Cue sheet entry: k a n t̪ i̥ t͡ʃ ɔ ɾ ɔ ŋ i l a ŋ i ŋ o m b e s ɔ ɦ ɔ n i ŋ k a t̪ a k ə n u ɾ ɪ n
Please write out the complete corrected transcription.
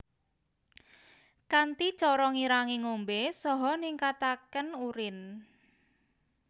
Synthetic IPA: k a n t̪ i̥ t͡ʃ ɔ ɾ ɔ ŋ i ɾ a ŋ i ŋ o m b e s ɔ ɦ ɔ n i ŋ k a t̪ a k ə n u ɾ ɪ n